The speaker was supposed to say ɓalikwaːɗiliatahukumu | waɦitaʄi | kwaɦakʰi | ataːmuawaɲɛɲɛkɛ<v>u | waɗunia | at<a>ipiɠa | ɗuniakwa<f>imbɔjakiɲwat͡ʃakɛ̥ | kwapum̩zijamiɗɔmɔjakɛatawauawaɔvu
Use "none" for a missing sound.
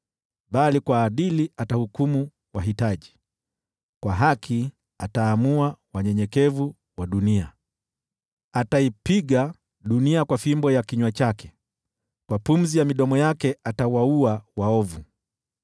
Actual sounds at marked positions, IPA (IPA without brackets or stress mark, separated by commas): v, a, f